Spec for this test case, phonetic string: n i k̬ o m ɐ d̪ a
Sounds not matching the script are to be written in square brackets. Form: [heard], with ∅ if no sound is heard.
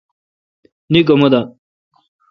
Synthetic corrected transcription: n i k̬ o m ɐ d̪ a